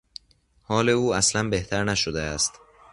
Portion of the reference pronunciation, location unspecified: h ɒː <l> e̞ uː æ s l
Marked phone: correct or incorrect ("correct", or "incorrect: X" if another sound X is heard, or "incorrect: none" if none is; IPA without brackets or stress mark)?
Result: correct